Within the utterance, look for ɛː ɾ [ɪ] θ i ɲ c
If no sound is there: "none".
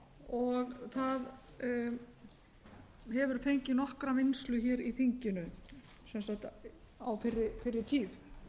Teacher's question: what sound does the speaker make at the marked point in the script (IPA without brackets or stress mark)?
i